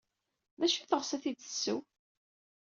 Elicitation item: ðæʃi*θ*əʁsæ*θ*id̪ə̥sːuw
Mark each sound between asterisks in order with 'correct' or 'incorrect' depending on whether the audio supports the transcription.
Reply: correct, correct

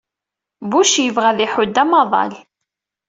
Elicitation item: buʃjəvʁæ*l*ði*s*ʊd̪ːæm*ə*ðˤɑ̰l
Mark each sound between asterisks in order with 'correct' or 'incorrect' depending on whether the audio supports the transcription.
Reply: incorrect, incorrect, incorrect

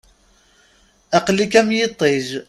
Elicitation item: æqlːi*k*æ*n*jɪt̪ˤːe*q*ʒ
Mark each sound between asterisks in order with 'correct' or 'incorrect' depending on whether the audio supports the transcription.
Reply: correct, incorrect, incorrect

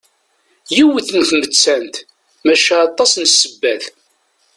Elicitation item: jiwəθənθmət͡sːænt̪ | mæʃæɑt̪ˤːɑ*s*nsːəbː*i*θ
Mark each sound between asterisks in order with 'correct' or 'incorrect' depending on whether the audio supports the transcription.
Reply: correct, incorrect

